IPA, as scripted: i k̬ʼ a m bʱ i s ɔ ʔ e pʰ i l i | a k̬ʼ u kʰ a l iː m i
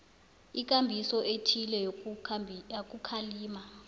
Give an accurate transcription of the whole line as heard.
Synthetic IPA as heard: i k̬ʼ a m bʱ i s ɔ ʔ e tʰ i l ɛ | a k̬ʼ u kʰ a l iː m a

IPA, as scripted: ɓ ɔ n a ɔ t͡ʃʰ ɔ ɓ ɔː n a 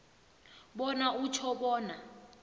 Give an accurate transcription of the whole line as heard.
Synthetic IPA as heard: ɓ ɔ n a u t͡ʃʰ ɔ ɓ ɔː n a

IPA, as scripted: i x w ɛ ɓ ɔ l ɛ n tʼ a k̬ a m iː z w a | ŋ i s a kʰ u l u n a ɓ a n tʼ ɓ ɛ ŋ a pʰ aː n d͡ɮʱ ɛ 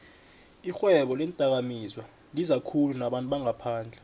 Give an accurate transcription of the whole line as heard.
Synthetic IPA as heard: i x w ɛ ɓ ɔ l ɛ n tʼ a k̬ a m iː z w a | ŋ i z a kʰ u l u n a ɓ a n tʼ ɓ a ŋ a pʰ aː n d͡ɮʱ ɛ

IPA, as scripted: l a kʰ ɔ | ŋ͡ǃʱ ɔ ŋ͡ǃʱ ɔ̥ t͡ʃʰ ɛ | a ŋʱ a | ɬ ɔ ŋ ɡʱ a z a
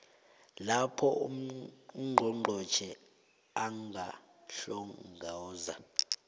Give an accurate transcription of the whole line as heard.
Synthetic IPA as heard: l a pʰ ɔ | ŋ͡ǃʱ ɔ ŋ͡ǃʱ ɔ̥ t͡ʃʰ ɛ | a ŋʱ a | ɬ ɔ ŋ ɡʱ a z a

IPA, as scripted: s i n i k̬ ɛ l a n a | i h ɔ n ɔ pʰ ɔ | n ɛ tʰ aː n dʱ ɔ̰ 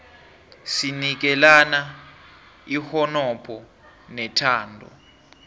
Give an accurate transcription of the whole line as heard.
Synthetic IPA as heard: s i n i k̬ ɛ l a n a | i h ɔ n ɔ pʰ ɔ | n ɛ tʰ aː n dʱ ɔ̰

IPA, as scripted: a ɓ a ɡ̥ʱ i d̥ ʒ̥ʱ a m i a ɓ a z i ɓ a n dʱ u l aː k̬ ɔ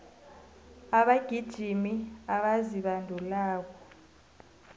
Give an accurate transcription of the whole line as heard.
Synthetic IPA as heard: a ɓ a ɡ̥ʱ i d̥ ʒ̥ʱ i m i a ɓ a z i ɓ a n dʱ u l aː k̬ ɔ

